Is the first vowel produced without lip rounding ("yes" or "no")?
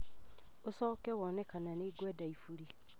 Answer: no